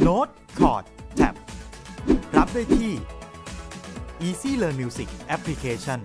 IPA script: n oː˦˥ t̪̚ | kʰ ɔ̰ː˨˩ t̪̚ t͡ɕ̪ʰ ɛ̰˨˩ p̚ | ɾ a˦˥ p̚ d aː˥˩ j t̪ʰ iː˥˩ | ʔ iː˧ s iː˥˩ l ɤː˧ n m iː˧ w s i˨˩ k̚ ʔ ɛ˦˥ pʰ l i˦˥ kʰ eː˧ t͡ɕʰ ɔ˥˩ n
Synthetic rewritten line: n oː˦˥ t̪̚ | kʰ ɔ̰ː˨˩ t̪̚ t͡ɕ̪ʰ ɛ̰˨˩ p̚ | ɾ a˦˥ p̚ d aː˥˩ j t̪ʰ iː˥˩ | ʔ iː˧ s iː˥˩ l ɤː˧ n m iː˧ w s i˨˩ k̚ ʔ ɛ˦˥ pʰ l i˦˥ kʰ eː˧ t͡ɕʰ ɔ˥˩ n